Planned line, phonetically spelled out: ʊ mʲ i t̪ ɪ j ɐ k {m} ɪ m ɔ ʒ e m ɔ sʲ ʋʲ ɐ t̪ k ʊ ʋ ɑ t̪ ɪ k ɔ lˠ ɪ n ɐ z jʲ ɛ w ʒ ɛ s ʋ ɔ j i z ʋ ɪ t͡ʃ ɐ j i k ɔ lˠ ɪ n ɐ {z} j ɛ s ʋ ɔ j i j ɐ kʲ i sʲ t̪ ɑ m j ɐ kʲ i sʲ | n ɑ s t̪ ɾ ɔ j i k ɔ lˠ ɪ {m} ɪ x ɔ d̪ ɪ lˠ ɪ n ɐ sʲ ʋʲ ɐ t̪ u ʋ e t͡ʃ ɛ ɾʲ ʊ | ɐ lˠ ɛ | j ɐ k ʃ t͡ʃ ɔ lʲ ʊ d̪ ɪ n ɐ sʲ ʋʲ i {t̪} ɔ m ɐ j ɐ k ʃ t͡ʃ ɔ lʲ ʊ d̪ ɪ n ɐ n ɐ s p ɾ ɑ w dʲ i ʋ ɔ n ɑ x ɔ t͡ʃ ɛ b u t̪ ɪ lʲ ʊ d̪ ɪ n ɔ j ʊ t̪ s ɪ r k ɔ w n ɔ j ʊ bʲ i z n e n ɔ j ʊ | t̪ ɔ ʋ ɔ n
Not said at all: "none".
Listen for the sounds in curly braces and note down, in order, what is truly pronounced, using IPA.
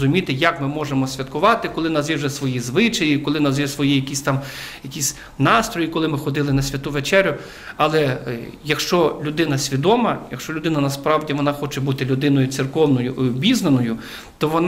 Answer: m, z, m, d̪

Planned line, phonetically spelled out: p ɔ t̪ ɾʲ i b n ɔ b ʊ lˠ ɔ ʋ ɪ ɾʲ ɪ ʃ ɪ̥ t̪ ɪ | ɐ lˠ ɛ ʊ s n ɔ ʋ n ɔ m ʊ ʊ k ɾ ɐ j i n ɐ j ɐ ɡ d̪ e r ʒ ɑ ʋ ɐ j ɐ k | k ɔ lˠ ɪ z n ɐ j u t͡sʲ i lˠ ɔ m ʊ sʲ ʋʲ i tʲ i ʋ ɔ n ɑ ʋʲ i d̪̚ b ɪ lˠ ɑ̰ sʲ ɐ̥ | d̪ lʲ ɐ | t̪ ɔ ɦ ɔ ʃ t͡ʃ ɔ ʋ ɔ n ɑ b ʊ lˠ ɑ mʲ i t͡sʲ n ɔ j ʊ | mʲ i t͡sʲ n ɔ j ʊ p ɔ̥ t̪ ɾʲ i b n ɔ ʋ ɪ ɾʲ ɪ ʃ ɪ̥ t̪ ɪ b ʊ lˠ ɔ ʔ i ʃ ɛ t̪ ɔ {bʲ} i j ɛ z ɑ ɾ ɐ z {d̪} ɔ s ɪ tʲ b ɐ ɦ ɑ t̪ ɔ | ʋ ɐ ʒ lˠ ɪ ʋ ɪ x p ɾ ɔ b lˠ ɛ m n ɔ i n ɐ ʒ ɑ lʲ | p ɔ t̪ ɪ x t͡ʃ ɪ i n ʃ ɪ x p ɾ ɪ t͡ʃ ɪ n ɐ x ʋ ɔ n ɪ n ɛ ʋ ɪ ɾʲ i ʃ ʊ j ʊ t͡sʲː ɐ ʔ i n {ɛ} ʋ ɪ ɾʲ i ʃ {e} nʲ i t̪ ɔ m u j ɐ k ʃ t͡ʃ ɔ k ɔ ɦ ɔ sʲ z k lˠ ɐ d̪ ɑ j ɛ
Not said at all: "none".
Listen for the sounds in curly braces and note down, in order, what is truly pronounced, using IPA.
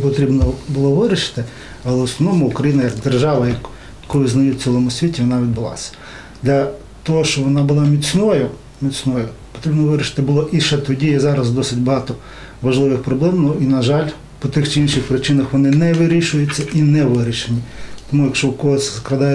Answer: dʲ, d̪, ɛ, e

